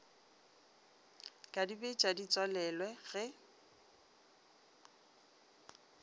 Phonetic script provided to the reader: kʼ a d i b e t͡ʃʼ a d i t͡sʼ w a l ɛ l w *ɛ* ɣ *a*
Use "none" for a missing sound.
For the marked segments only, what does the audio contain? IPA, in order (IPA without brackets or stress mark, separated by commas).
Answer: ɛ, ɛ